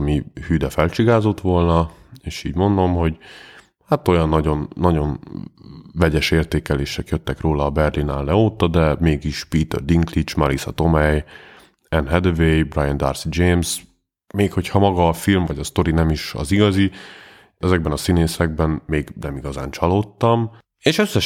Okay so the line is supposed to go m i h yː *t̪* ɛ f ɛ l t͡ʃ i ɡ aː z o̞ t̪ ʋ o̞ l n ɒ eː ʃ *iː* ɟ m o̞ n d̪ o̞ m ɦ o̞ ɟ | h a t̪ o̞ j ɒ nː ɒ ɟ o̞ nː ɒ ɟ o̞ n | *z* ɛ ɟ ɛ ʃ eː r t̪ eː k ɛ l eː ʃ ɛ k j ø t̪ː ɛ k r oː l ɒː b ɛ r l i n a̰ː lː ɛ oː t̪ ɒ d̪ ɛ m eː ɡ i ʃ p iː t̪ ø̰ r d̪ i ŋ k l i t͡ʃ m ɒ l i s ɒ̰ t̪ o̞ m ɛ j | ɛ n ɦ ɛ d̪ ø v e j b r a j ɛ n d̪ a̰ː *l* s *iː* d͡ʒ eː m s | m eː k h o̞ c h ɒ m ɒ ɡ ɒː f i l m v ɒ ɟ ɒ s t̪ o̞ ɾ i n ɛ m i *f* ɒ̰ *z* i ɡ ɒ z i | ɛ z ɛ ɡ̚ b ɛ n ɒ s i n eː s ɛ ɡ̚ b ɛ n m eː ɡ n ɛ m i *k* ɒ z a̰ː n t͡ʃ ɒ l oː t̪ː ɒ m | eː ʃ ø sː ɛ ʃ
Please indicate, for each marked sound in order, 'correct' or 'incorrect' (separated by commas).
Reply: incorrect, correct, incorrect, incorrect, incorrect, incorrect, correct, incorrect